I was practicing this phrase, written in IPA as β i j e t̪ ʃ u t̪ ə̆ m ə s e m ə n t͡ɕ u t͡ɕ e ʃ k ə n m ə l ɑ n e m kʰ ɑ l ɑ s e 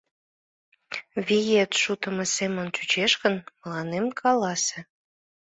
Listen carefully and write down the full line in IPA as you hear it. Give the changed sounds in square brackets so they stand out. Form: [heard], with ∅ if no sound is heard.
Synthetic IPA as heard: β i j e t̪ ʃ u t̪ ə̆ m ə s e m ə n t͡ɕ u t͡ɕ e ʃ k ə n m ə l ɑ n e m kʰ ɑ l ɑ s e